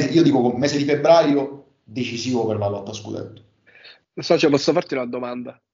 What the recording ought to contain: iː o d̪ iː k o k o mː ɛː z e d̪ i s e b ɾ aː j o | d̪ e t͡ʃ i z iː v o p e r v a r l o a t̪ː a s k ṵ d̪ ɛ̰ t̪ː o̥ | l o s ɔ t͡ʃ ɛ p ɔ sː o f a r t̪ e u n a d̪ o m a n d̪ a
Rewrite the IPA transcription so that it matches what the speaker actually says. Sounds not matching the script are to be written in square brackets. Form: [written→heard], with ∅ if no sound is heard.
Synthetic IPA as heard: iː o d̪ iː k o k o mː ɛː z e d̪ i [s→f] e b ɾ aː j o | d̪ e t͡ʃ i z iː v o p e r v a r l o a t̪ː a s k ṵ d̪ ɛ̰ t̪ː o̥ | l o s ɔ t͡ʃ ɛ p ɔ sː o f a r t̪ [e→i] u n a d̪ o m a n d̪ a